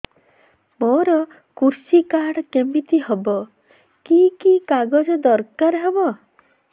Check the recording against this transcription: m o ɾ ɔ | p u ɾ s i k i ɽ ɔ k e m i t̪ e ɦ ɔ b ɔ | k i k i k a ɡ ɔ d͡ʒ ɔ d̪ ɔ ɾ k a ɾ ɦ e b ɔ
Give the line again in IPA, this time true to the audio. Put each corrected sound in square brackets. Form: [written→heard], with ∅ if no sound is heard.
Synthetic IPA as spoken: m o ɾ ɔ | [p→k] u ɾ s i k [i→a] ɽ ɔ k e m i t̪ [e→i] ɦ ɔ b ɔ | k i k i k a ɡ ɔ d͡ʒ ɔ d̪ ɔ ɾ k a ɾ ɦ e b ɔ